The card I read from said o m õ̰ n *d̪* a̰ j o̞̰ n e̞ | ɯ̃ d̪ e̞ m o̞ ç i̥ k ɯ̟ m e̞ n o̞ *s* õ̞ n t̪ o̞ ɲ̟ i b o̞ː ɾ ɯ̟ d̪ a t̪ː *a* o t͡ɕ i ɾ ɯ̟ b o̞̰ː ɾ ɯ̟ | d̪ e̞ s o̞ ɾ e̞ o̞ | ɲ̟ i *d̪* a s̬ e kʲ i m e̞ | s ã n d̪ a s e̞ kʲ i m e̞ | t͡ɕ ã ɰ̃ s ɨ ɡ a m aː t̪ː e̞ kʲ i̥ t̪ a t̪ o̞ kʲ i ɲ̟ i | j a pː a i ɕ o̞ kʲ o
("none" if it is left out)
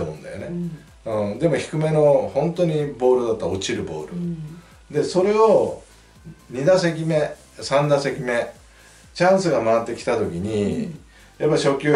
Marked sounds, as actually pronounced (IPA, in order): d̪, h, a, d̪

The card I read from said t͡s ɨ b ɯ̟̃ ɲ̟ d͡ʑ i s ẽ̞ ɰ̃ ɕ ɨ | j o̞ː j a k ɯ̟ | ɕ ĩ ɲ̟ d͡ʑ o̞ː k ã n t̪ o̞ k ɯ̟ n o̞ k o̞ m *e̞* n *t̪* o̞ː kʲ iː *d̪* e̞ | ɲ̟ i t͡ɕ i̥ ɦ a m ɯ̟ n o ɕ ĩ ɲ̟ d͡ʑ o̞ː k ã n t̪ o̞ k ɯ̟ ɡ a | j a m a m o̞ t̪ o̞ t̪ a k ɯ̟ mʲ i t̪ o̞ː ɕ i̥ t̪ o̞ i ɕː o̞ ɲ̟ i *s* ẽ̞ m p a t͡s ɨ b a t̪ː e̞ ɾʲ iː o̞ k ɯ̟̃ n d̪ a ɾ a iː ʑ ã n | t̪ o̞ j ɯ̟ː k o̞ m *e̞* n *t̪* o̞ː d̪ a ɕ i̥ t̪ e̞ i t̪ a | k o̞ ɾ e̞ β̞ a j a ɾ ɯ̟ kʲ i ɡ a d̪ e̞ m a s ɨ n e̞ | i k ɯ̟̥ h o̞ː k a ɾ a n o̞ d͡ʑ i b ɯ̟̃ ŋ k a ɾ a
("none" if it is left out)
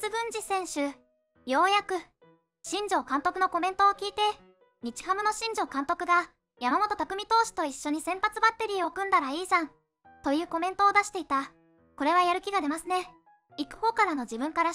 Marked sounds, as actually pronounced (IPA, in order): ẽ̞, t̪, t̪, s, ẽ̞, t̪

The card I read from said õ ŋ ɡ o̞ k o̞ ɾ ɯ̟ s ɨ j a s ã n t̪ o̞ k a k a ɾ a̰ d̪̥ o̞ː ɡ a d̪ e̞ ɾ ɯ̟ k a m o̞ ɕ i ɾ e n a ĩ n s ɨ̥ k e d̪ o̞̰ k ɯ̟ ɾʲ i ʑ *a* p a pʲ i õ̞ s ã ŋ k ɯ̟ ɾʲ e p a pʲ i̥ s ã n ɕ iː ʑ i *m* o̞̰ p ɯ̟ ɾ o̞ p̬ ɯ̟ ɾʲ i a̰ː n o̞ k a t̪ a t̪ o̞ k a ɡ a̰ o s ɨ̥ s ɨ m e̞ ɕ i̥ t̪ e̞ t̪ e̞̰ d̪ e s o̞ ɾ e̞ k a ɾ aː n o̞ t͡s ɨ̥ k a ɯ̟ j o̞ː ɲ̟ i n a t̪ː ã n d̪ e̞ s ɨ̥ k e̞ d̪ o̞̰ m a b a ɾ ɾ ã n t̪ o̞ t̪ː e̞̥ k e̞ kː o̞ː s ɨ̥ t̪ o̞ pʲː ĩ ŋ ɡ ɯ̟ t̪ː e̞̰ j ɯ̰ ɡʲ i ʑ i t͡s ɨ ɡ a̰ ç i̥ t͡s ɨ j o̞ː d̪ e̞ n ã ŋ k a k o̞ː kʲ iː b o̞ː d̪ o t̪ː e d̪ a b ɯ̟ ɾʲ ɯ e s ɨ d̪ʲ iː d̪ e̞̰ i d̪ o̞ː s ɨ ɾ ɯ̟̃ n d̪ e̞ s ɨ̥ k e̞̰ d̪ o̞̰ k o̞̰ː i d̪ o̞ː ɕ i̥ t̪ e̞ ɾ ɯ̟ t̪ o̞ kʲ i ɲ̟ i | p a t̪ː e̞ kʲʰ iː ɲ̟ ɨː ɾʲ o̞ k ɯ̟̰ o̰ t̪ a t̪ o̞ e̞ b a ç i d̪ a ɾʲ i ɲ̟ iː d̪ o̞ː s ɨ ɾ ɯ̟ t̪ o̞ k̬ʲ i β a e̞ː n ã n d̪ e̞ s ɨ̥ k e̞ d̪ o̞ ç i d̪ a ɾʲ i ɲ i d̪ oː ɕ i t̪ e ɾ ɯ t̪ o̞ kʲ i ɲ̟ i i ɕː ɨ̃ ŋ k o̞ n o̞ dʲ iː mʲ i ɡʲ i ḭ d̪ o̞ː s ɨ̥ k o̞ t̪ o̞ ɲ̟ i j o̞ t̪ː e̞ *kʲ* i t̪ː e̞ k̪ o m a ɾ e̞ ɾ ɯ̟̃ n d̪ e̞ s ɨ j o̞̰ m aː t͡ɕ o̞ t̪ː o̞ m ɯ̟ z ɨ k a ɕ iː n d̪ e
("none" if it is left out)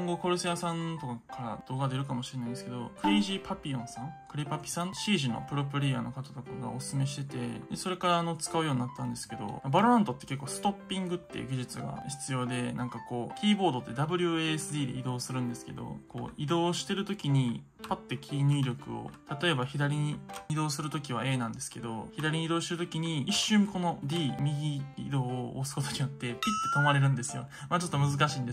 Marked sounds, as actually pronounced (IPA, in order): i, n, pʲ

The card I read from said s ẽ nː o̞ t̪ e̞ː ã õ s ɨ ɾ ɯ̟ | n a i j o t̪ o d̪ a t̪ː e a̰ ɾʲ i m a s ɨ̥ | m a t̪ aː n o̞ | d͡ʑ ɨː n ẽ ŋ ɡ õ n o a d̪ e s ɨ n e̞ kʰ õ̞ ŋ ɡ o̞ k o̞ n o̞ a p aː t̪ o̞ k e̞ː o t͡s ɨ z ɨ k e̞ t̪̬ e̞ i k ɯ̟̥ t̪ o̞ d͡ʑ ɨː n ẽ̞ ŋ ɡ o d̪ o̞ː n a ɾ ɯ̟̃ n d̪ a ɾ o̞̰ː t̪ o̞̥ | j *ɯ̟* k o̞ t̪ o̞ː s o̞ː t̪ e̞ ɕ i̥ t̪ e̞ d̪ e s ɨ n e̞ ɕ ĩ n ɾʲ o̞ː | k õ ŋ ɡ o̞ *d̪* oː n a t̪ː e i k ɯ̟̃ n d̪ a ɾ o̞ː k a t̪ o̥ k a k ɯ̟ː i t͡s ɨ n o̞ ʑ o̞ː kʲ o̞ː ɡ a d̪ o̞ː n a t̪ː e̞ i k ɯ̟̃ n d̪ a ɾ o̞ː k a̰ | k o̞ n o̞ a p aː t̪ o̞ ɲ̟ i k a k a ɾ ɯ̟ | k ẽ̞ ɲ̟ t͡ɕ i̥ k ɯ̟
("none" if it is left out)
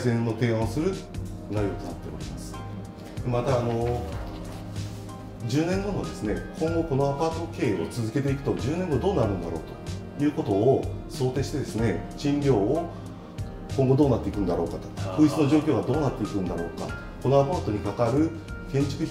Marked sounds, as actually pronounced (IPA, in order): ɯ̟ː, d̪

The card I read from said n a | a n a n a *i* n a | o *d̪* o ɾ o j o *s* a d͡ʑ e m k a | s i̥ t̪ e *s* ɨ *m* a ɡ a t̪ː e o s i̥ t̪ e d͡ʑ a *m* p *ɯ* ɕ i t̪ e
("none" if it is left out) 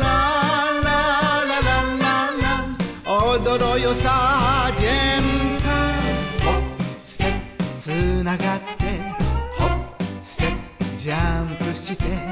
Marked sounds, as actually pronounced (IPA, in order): a, d̪, s, t͡s, n, m, ɯ

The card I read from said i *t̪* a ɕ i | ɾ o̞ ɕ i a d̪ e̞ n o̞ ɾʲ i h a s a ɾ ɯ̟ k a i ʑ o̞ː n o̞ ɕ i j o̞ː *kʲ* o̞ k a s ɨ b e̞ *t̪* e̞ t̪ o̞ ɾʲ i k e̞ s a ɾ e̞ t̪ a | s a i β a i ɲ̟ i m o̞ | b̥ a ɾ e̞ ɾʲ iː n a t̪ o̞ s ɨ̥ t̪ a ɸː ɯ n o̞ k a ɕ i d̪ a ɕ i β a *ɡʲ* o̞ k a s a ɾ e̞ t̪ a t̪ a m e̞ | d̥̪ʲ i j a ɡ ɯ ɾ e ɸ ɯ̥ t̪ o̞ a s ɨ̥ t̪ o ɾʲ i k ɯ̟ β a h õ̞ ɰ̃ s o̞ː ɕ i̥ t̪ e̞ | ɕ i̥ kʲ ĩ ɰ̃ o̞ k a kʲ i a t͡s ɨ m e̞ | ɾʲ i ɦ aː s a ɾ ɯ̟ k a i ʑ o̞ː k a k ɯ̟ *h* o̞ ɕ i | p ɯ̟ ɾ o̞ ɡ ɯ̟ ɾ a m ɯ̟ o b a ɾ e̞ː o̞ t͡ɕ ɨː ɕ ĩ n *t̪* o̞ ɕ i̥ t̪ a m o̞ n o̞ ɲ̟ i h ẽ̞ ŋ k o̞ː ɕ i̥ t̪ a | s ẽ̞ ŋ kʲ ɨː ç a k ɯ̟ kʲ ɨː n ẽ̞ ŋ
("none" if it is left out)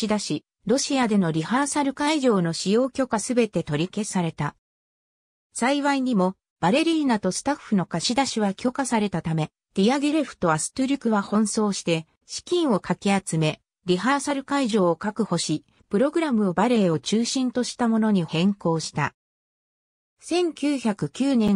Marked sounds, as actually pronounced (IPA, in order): d̪, kʲ, t̪, kʲ, h, t̪

